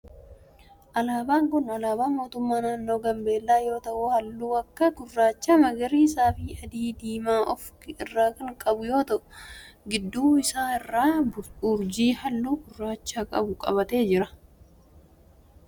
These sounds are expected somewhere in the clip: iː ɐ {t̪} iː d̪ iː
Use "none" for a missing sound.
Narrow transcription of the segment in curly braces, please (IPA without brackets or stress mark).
d̪